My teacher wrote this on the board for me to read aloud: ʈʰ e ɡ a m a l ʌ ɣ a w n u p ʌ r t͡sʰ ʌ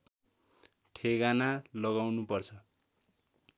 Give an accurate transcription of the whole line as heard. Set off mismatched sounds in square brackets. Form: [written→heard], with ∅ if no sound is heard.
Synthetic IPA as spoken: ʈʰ e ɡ a [m→n] a l ʌ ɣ a w n u p ʌ r t͡sʰ ʌ